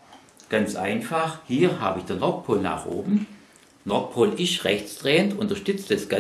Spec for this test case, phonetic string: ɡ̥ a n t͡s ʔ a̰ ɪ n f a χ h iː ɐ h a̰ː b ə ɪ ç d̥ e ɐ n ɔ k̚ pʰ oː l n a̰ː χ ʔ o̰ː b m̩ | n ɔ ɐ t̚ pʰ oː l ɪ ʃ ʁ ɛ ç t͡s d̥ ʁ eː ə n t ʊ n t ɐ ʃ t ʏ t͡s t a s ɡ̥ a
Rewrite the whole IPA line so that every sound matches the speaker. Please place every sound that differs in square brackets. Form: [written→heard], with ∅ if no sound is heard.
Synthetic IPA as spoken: ɡ̥ a n t͡s ʔ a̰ ɪ n f a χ h iː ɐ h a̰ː b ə ɪ ç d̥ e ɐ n ɔ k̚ pʰ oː l n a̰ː χ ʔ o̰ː b m̩ | n ɔ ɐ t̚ pʰ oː l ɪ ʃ ʁ ɛ ç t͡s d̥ ʁ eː ə n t ʊ n t ɐ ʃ t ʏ t͡s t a s ɡ̥ a